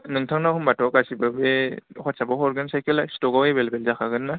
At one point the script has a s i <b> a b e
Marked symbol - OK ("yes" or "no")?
yes